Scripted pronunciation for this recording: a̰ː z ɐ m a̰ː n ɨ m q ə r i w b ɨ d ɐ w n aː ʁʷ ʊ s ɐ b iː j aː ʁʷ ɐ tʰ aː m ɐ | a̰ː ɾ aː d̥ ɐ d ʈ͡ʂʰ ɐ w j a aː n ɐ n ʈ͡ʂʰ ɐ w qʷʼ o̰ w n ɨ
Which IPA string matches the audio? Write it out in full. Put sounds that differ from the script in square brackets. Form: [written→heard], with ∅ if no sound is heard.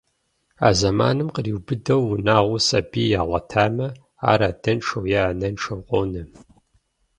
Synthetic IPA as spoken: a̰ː z ɐ m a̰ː n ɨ m q ə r i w b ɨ d ɐ w n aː ʁʷ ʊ s ɐ b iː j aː ʁʷ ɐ tʰ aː m ɐ | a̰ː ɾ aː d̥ ɐ [d→n] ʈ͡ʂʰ ɐ w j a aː n ɐ n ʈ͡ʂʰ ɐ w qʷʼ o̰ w n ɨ